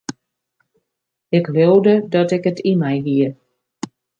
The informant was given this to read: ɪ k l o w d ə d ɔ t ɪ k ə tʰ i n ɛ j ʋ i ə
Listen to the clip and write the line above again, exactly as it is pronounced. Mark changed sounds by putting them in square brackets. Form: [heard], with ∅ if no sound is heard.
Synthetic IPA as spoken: ɪ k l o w d ə d ɔ t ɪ k ə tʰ i [m] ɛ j ʋ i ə